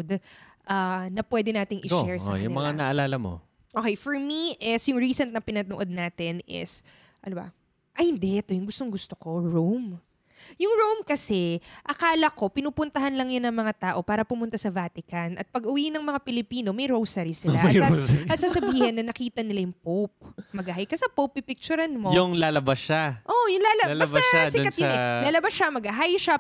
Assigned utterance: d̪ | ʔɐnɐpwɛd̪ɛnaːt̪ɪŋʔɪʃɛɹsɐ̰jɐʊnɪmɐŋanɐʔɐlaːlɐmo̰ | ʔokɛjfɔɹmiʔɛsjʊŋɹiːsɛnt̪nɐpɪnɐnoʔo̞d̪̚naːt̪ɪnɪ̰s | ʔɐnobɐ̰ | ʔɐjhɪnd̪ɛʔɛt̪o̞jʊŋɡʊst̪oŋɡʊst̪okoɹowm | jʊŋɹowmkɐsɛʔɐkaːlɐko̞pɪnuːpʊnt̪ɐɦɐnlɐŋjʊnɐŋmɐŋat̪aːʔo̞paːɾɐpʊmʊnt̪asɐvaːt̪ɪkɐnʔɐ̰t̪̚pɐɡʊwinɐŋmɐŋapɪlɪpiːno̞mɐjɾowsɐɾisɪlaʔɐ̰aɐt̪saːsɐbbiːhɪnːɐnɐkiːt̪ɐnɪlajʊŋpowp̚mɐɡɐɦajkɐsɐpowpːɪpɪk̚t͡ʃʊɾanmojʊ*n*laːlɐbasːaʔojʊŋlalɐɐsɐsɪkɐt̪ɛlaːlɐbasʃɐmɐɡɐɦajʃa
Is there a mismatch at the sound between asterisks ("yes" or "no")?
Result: yes